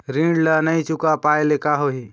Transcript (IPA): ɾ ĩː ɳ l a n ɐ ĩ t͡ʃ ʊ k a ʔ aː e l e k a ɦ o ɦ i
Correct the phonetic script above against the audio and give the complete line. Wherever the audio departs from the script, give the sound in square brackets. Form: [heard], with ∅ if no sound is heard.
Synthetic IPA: ɾ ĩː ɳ l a n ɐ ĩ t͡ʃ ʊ k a [p] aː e l e k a ɦ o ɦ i